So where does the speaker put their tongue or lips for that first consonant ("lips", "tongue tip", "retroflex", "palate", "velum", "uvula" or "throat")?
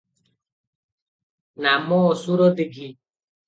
tongue tip